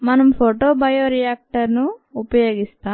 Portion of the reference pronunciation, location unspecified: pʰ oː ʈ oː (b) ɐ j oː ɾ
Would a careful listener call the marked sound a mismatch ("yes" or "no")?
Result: no